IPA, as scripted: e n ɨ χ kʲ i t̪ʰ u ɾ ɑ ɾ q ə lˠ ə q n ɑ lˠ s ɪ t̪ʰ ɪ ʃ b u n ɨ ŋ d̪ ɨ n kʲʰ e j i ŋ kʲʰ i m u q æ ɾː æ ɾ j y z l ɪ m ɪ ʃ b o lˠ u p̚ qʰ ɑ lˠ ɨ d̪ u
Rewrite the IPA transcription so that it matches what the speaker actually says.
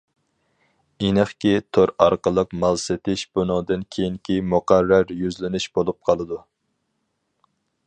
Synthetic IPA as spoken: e n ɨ χ kʲ i t̪ʰ o ɾ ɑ ɾ q ə lˠ ə q m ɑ lˠ s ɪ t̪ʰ ɪ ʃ b u n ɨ ŋ d̪ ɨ n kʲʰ e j i ŋ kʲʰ i m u q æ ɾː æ ɾ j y z l ɪ n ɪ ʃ b o lˠ u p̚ qʰ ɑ lˠ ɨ d̪ u